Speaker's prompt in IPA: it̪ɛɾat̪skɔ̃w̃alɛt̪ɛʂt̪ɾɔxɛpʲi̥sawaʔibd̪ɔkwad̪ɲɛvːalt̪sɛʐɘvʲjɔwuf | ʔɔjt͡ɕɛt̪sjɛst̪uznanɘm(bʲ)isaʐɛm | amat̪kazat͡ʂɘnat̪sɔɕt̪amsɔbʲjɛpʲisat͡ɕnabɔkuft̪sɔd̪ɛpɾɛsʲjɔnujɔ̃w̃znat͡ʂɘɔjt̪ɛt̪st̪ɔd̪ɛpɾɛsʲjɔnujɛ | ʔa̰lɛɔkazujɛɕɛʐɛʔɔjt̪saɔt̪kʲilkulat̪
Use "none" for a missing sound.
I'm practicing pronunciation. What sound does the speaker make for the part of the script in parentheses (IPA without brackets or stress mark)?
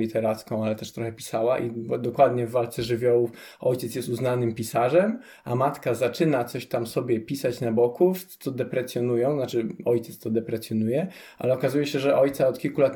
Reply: pʲ